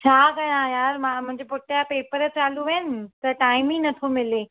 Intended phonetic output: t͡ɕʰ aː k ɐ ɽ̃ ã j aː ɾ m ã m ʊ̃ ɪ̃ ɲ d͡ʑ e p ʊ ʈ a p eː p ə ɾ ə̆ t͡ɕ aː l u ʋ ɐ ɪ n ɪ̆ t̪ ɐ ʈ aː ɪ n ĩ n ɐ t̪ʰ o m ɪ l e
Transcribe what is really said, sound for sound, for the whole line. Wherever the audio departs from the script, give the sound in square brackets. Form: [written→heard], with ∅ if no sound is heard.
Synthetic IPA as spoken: t͡ɕʰ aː k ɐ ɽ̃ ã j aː ɾ m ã m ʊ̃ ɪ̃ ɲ d͡ʑ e p ʊ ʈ a p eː p ə ɾ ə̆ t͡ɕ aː l u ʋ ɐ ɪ n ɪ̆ t̪ ɐ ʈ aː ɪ [n→m] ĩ n ɐ t̪ʰ o m ɪ l e

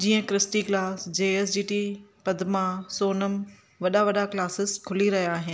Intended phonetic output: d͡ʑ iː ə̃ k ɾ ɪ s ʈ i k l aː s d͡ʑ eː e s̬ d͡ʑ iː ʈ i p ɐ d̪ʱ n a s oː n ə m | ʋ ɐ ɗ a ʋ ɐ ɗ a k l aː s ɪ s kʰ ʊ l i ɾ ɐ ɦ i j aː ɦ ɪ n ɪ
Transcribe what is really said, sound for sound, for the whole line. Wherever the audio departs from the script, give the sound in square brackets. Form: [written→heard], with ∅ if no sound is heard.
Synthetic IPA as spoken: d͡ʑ iː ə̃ k ɾ ɪ s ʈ i k l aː s d͡ʑ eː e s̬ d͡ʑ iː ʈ i p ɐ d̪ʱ [n→m] a s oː n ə m | ʋ ɐ ɗ a ʋ ɐ ɗ a k l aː s ɪ s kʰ ʊ l i ɾ ɐ ɦ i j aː ɦ ɪ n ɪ

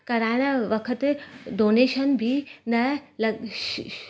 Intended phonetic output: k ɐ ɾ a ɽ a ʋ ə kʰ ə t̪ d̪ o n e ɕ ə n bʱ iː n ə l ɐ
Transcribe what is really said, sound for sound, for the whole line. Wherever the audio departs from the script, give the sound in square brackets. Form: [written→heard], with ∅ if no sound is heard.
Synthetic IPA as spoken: k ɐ ɾ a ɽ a ʋ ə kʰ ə t̪ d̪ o n e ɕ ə n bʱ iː n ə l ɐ

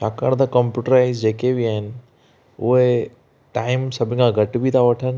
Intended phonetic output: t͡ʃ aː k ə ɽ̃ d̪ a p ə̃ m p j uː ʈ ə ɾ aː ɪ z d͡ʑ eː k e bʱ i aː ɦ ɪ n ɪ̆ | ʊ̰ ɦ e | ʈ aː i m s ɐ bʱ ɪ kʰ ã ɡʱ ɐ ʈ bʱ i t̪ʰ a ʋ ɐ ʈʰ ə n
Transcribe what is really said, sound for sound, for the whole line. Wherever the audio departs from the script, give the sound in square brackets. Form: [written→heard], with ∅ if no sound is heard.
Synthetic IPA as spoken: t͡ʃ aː k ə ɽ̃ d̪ a [p→k] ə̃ m p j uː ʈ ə ɾ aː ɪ z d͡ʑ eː k e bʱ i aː ɦ ɪ n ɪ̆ | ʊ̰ ɦ e | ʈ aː [i→ɪ] m s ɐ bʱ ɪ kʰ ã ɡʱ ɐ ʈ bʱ i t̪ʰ a ʋ ɐ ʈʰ ə n

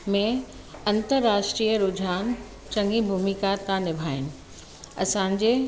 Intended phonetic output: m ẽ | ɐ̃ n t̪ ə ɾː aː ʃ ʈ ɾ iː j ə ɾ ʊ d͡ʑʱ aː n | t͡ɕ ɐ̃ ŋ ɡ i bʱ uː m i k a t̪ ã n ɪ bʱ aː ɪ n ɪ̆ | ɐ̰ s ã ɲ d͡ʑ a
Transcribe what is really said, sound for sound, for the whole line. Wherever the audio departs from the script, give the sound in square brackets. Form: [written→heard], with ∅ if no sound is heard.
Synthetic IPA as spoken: m ẽ | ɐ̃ n t̪ ə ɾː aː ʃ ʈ ɾ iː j ə ɾ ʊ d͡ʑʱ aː n | t͡ɕ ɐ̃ ŋ ɡ i bʱ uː m i k a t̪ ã n ɪ bʱ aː ɪ n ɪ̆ | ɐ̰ s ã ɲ d͡ʑ [a→e]

